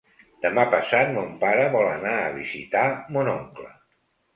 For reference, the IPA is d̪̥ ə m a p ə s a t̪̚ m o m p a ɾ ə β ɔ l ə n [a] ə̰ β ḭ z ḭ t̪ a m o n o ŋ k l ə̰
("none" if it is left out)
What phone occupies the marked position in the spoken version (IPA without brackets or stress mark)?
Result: a